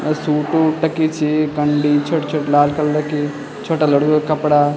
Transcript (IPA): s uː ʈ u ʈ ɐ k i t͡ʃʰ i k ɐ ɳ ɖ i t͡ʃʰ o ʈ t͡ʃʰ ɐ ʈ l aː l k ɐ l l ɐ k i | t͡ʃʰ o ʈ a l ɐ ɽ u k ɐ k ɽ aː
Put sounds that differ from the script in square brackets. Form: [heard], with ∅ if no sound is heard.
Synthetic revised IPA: s uː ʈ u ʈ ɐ k i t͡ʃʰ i k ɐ ɳ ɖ i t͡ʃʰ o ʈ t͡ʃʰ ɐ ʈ l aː l k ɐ l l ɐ k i | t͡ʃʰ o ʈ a l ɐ ɽ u k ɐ [p] ɽ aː